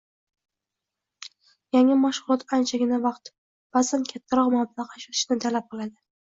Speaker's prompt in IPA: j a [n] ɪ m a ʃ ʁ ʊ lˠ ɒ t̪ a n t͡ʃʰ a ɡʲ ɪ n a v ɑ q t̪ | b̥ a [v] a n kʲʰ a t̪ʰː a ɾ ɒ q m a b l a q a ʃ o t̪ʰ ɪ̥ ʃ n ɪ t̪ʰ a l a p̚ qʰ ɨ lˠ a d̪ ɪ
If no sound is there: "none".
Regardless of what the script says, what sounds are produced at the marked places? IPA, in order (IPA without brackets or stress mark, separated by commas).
ŋ, z